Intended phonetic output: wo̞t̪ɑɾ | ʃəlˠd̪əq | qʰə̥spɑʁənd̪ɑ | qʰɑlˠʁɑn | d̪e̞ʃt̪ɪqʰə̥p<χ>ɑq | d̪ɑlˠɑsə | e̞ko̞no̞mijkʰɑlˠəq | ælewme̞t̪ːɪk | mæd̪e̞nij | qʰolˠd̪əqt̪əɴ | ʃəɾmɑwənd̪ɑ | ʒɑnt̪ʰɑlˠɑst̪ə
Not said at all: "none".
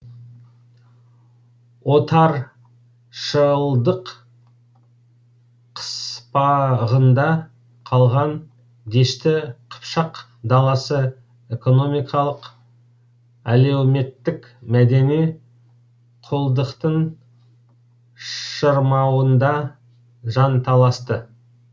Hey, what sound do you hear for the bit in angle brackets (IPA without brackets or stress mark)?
ʃ